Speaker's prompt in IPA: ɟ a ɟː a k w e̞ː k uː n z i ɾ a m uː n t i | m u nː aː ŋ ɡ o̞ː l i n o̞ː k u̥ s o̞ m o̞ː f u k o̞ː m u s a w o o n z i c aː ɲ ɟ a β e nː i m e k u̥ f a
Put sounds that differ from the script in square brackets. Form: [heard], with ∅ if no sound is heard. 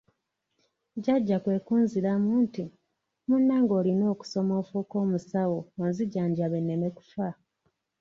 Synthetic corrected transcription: ɟ a ɟː a k w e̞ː k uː n z i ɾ a m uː n t i | m u nː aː ŋ ɡ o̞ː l i n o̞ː k u̥ s o̞ m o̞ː f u k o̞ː m u s a w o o n z i [ɟ] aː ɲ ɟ a β e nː [e] m e k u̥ f a